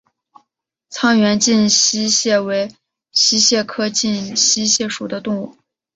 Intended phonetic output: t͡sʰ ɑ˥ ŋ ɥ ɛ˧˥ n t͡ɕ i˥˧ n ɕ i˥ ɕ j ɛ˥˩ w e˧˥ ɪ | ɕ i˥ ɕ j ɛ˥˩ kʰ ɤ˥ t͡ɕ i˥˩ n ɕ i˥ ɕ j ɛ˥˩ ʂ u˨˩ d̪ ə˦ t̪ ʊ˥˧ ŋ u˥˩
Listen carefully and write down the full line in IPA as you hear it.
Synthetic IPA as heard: t͡sʰ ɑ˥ ŋ ɥ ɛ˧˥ n t͡ɕ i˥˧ n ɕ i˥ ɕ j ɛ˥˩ w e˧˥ ɪ | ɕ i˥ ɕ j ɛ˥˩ kʰ ɤ˥ t͡ɕ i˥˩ n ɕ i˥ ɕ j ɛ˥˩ ʂ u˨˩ d̪ ə˦ t̪ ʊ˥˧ ŋ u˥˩